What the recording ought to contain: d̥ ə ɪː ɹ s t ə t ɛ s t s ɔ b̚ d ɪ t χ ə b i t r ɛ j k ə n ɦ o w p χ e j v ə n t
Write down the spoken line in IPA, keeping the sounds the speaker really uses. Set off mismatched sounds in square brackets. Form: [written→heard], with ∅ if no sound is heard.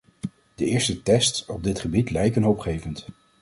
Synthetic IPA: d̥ ə ɪː ɹ s t ə t ɛ s t s ɔ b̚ d ɪ t χ ə b i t [r→l] ɛ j k ə n ɦ o w p χ e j v ə n t